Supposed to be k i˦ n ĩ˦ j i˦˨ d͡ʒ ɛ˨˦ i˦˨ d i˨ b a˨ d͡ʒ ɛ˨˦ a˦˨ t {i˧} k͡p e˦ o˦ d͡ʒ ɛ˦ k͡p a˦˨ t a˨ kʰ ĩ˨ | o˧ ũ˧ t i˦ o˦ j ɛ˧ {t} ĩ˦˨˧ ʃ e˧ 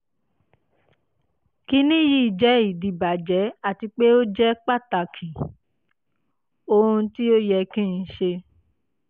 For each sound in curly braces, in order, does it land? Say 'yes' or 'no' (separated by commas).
yes, no